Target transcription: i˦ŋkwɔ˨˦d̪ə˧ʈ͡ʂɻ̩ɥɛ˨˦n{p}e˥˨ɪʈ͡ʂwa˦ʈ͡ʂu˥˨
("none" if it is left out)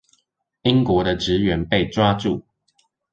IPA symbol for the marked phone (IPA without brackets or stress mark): p